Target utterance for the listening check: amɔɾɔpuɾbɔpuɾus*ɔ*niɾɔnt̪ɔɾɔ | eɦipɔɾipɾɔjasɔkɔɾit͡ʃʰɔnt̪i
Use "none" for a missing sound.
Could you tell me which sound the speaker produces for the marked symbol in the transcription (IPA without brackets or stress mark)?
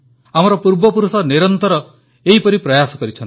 ɔ